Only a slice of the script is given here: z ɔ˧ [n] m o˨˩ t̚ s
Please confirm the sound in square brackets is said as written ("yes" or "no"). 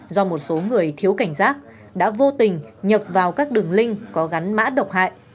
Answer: no